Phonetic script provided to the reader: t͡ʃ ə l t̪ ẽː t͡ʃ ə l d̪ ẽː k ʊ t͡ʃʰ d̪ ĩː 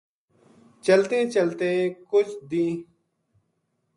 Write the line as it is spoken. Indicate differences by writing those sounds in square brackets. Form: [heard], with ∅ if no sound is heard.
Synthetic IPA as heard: t͡ʃ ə l t̪ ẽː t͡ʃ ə l [t̪] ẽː k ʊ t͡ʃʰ d̪ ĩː